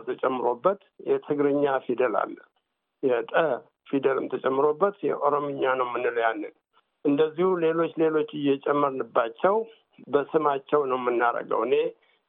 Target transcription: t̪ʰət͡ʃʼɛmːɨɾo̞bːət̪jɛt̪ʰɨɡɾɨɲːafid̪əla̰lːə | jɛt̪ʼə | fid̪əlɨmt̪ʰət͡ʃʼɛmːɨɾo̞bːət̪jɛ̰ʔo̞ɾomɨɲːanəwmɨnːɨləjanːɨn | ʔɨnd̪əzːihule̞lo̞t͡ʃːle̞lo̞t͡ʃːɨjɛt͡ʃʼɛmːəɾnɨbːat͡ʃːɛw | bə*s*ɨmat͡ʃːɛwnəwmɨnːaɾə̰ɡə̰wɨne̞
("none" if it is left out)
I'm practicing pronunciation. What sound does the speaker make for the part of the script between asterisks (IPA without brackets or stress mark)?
s